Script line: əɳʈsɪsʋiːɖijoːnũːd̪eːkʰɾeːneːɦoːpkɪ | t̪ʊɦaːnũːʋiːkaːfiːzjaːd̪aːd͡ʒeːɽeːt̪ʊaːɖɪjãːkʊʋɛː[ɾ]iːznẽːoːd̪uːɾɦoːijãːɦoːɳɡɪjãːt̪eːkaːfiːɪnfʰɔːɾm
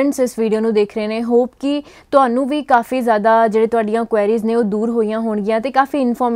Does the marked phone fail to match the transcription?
no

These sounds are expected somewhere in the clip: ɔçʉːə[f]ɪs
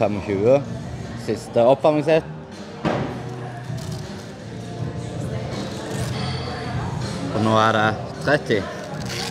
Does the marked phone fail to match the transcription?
yes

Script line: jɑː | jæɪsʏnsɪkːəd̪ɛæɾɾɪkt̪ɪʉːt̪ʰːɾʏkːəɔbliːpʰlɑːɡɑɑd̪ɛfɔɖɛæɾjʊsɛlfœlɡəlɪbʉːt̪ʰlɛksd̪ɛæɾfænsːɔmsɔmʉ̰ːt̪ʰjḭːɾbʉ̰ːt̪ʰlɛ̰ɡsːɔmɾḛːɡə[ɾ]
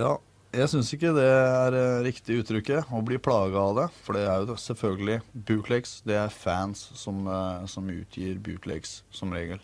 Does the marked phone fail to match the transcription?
yes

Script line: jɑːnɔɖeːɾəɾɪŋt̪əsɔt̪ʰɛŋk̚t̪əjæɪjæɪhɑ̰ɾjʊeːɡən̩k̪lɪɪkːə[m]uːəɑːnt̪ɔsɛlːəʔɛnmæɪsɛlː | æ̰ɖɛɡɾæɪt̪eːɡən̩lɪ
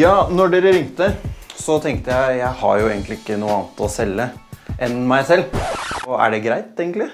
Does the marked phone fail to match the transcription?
yes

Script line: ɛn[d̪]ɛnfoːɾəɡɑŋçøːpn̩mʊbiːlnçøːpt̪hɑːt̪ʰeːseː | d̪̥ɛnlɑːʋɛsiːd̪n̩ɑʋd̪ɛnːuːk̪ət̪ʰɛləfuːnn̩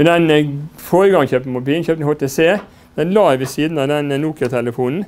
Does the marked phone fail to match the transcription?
no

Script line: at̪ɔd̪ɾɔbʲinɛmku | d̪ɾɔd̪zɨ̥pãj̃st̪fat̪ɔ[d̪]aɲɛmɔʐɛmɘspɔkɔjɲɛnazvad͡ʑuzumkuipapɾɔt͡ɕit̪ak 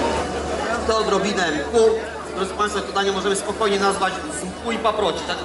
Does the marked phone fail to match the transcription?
no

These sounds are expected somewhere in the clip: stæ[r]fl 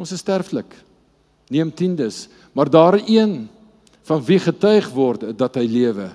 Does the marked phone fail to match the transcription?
no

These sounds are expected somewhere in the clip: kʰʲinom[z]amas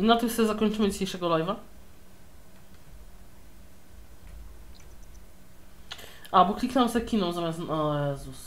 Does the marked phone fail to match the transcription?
no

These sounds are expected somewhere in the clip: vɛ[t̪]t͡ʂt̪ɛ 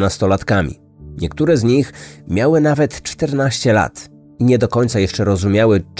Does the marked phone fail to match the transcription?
no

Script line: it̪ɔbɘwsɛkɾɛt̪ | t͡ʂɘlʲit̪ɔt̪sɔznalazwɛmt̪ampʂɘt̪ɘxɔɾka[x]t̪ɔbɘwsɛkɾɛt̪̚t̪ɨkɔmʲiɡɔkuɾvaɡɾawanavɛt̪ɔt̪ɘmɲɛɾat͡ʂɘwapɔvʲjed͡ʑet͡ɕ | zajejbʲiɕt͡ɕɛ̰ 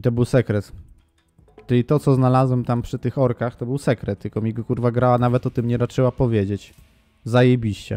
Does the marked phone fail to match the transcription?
no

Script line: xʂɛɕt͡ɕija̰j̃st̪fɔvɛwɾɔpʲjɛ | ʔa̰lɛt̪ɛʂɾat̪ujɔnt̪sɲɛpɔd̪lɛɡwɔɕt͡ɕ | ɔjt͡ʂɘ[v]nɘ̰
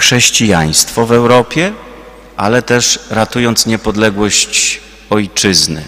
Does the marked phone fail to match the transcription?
yes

